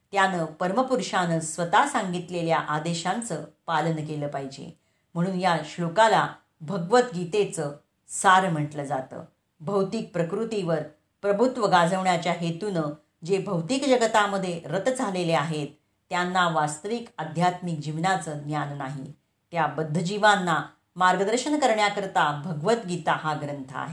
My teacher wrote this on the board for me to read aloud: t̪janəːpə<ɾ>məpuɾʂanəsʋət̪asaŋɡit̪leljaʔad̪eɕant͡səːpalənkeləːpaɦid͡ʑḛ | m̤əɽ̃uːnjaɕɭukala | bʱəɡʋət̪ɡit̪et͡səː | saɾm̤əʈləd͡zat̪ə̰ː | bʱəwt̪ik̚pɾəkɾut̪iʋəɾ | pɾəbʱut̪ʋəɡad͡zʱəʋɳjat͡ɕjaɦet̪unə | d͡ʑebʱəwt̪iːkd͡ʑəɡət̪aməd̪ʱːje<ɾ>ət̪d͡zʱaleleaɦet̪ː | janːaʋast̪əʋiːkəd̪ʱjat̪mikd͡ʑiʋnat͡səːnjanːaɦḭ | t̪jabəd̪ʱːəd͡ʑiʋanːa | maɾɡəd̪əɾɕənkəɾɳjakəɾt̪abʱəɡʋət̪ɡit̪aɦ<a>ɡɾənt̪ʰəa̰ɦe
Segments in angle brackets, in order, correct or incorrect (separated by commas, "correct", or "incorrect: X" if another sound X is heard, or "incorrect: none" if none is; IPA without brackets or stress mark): correct, correct, correct